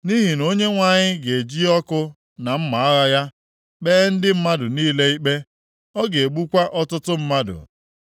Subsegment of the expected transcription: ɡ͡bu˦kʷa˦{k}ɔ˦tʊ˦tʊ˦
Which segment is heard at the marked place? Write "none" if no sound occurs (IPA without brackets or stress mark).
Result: ʔ